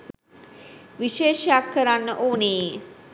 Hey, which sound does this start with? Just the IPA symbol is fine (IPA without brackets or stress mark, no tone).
ʋ